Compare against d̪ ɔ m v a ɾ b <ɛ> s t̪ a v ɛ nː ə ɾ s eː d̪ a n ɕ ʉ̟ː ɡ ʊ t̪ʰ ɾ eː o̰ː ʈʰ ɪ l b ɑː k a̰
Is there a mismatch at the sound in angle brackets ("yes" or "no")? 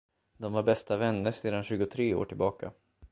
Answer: no